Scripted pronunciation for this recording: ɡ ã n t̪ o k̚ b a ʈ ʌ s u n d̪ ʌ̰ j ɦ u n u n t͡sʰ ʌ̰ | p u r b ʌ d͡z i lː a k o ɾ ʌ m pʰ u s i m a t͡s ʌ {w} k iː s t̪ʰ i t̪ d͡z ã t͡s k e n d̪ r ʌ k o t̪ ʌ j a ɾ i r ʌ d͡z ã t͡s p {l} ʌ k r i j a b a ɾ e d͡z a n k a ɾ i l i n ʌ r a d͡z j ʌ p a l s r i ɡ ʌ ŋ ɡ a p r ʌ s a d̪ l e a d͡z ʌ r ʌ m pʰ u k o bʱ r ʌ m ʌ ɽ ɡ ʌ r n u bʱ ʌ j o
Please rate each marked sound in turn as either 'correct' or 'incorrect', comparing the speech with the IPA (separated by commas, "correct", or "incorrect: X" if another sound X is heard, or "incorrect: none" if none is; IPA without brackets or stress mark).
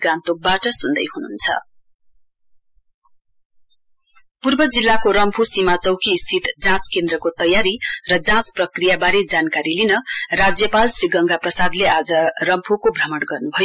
correct, incorrect: r